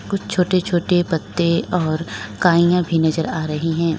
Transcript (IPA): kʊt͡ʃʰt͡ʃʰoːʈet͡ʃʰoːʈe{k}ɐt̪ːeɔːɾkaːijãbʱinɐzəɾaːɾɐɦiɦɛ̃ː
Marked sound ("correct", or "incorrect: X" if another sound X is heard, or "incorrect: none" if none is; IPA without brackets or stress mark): incorrect: p